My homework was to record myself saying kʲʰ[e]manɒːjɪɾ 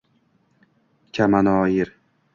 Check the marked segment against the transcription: incorrect: a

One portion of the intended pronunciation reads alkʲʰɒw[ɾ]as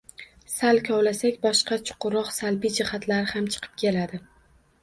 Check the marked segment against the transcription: incorrect: l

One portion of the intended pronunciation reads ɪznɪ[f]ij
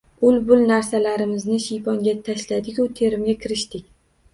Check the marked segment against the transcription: incorrect: ʃ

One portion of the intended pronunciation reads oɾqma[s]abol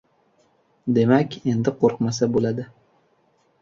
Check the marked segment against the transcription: correct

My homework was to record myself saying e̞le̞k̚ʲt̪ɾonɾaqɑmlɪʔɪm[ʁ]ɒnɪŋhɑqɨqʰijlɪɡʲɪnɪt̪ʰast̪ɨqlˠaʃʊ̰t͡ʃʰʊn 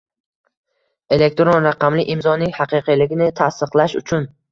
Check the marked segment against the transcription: incorrect: z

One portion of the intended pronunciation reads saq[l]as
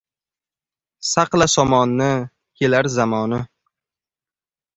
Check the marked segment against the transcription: correct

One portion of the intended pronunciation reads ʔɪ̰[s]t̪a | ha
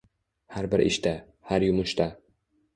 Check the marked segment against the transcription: incorrect: ʃ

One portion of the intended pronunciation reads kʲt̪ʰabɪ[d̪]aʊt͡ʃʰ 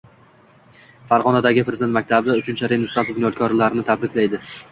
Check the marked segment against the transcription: correct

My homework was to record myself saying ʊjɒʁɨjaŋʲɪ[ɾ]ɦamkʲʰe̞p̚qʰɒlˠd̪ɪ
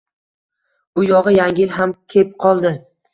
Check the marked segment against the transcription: incorrect: l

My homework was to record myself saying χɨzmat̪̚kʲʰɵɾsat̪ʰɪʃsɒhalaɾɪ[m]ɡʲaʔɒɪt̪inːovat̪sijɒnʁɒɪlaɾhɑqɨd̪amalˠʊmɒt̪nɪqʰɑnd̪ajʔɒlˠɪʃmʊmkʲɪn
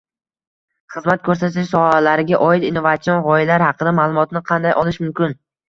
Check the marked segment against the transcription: incorrect: none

